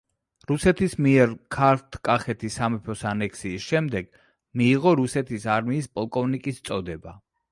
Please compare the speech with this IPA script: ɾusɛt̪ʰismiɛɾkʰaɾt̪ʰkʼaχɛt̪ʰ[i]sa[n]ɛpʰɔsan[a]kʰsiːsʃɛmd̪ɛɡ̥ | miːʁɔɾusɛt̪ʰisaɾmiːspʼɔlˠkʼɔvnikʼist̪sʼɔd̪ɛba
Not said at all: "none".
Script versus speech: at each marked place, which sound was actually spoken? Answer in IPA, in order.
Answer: i, m, ɛ

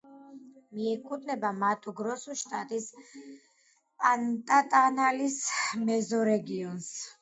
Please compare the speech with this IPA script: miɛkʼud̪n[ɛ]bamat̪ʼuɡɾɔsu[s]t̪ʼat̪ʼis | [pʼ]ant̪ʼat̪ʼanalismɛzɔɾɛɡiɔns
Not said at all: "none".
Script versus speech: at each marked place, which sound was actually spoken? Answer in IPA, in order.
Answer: ɛ, ʃ, pʼ

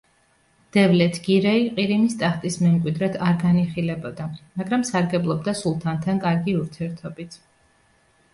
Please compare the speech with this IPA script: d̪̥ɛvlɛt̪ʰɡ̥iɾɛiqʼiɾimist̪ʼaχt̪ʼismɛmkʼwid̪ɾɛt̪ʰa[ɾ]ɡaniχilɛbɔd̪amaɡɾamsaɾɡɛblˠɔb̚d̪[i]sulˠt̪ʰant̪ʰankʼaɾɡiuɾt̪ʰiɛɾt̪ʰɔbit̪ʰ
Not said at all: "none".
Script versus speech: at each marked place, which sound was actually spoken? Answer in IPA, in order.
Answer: ɾ, a

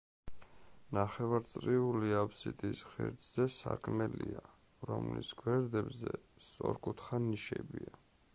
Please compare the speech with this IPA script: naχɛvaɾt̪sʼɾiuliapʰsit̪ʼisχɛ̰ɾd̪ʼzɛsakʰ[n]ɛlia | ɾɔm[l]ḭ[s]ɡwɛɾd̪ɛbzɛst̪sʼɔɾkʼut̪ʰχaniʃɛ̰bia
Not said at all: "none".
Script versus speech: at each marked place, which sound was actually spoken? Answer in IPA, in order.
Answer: m, l, s

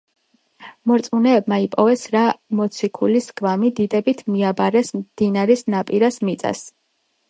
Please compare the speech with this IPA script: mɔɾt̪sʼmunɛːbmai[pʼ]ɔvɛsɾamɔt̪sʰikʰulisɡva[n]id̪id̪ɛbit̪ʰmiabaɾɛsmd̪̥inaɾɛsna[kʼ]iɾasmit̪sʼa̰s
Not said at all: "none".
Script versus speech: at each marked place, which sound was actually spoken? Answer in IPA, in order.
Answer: pʼ, m, pʼ

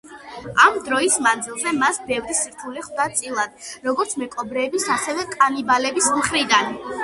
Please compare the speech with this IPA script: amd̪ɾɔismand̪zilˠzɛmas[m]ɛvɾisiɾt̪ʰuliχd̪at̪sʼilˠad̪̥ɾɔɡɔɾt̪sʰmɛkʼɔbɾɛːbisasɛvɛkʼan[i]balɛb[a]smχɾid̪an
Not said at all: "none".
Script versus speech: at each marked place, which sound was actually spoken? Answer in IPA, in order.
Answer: b, i, i

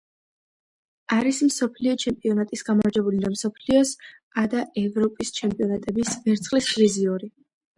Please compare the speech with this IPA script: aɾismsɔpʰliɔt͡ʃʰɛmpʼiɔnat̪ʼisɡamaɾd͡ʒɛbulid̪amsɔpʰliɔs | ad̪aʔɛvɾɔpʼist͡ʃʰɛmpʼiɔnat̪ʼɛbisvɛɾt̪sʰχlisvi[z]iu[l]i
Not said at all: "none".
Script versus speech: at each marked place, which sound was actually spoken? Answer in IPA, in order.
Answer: z, ɾ

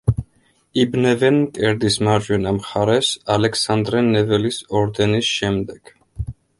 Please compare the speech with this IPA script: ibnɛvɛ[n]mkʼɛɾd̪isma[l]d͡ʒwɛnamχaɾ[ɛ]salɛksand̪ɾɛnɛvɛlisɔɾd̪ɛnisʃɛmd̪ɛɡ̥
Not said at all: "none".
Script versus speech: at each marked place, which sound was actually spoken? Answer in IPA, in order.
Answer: n, ɾ, ɛ

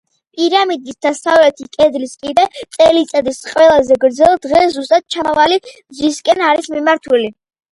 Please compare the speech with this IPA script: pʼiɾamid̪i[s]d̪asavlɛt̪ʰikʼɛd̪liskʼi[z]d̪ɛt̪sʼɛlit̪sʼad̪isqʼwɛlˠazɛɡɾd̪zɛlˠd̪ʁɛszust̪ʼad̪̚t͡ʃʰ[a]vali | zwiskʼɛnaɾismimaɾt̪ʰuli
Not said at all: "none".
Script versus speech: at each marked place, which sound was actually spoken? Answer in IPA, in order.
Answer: s, none, a

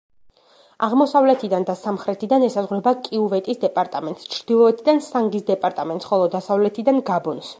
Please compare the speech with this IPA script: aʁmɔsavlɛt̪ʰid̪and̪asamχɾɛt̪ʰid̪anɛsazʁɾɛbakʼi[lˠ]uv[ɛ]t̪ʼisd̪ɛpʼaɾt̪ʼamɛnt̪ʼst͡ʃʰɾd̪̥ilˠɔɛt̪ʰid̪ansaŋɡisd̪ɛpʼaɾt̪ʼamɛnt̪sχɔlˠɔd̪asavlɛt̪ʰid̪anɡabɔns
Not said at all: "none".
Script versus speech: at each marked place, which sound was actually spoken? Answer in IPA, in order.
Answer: none, ɛ

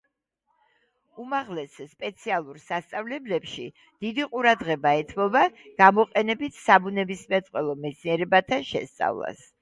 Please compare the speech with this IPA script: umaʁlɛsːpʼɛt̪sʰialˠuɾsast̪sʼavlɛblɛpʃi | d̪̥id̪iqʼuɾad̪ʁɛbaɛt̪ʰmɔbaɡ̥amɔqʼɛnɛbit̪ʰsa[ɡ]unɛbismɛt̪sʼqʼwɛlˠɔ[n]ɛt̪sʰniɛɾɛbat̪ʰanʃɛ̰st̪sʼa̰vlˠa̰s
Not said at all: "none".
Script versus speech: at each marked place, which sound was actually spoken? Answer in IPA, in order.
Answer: b, m

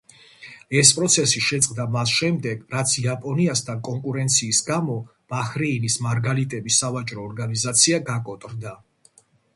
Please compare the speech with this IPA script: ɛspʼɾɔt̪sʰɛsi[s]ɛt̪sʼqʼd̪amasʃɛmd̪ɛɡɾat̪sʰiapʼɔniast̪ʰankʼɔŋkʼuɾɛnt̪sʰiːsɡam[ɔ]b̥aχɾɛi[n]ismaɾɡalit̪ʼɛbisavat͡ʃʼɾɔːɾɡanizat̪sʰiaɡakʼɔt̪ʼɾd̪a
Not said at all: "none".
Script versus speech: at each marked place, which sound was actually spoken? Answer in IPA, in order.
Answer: ʃ, ɔ, n

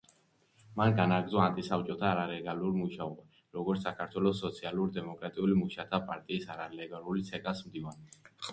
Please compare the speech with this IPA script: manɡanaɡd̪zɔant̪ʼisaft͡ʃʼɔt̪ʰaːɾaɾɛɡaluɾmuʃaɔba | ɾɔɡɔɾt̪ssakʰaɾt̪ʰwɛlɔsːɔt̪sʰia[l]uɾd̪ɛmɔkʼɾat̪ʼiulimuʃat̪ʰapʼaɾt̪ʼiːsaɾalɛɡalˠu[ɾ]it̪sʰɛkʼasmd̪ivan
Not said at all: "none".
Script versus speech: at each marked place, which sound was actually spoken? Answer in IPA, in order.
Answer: l, l

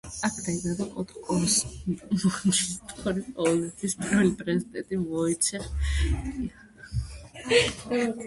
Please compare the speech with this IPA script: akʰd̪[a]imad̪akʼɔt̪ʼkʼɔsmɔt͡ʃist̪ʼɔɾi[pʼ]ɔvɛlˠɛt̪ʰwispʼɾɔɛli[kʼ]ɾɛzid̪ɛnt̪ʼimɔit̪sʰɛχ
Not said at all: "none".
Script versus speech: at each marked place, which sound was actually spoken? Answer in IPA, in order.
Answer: a, qʼ, pʼ

